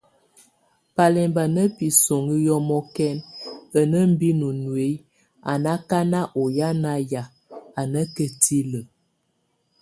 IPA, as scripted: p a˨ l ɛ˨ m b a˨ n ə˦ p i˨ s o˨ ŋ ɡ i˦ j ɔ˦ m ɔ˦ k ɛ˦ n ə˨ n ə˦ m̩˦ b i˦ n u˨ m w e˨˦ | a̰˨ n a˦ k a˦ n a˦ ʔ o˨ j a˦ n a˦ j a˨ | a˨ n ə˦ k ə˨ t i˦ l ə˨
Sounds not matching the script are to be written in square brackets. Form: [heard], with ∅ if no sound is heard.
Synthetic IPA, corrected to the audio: p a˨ l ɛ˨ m b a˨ n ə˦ p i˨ s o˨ ŋ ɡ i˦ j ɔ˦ m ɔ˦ k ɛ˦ n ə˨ n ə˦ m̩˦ b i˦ n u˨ [n] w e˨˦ | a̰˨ n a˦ k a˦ n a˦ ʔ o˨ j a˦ n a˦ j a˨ | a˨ n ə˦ k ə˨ t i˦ l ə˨